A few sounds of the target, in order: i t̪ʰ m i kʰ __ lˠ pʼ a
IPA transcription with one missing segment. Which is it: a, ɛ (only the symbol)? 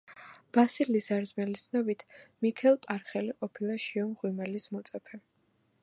ɛ